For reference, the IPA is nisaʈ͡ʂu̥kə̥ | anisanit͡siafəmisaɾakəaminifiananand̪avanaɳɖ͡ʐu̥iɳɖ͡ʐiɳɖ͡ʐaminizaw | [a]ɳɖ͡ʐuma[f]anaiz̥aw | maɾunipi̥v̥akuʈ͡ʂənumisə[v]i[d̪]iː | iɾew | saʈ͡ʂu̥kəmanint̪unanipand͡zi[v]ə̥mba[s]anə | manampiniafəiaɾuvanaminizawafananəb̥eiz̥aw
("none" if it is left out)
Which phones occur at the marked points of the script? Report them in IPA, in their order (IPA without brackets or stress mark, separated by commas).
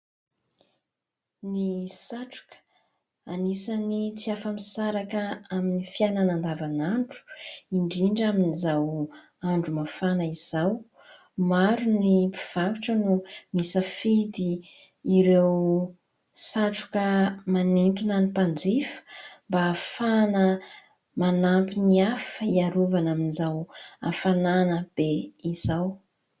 a, f, f, d̪, f, f